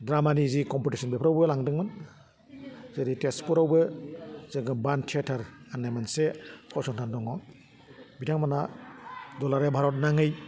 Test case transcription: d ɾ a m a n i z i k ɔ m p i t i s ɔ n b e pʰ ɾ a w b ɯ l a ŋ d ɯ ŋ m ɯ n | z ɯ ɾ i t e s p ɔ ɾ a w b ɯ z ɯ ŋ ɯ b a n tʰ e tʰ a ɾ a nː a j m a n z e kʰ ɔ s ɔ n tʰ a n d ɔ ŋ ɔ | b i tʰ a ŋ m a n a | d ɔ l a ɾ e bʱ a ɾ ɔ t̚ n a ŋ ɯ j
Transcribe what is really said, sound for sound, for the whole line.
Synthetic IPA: d ɾ a m a n i z i k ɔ m p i t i s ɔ n b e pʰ ɾ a w b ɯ l a ŋ d ɯ ŋ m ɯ n | z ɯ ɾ i t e s p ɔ ɾ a w b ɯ z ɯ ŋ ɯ b a n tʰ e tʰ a ɾ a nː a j m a n s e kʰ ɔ s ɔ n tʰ a n d ɔ ŋ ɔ | b i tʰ a ŋ m a n a | d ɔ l a ɾ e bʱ a ɾ ɔ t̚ n a ŋ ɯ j